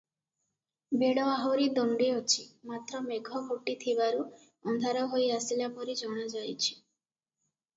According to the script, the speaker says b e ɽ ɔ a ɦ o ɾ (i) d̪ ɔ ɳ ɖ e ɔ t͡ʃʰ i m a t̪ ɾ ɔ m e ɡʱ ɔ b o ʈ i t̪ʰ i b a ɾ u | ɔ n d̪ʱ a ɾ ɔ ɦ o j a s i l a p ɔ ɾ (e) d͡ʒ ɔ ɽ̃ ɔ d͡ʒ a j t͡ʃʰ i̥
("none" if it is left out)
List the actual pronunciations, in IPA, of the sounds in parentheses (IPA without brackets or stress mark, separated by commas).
i, i